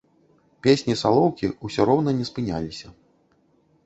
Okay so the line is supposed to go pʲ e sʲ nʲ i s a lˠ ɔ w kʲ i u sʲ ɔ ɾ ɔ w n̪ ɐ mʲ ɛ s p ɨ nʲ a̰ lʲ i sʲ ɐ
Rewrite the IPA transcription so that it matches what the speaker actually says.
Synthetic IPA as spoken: pʲ e sʲ nʲ i s a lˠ ɔ w kʲ i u sʲ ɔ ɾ ɔ w n̪ ɐ nʲ ɛ s p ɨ nʲ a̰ lʲ i sʲ ɐ